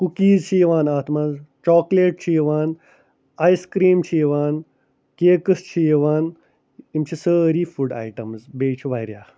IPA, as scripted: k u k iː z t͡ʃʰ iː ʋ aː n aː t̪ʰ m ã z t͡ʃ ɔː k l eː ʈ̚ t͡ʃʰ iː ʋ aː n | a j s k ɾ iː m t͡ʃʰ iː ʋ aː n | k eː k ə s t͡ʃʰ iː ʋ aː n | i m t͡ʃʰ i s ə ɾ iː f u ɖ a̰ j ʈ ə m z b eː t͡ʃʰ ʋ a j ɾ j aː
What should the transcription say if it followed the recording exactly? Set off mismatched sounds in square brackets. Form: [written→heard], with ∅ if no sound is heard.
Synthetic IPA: k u k iː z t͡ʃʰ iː ʋ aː n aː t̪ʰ m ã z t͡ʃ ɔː k l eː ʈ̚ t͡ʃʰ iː ʋ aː n | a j s k ɾ iː m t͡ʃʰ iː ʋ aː n | k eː k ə s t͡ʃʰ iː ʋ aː n | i m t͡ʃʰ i s ə ɾ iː f u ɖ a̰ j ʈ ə m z b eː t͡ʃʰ ʋ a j ɾ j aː